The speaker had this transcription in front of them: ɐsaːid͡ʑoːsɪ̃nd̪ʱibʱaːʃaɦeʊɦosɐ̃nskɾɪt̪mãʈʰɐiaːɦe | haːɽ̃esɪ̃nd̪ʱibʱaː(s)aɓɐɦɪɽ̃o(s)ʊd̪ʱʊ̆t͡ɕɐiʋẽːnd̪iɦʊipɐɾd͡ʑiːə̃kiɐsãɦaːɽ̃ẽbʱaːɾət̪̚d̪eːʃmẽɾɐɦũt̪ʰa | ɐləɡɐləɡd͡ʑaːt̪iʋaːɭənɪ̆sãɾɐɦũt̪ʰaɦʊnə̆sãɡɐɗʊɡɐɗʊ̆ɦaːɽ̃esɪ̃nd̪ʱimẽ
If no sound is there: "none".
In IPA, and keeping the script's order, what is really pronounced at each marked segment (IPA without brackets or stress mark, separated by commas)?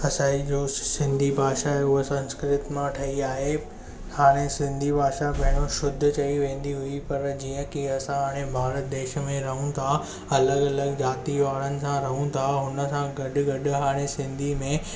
ʃ, ʃ